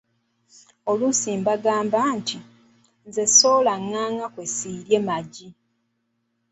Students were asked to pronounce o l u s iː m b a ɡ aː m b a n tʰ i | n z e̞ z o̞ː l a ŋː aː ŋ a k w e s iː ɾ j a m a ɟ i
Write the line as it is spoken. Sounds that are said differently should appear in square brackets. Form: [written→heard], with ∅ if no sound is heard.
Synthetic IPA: o l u s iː m b a ɡ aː m b a n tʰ i | n z e̞ [z→s] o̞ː l a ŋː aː ŋ a k w e s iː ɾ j [a→e] m a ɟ i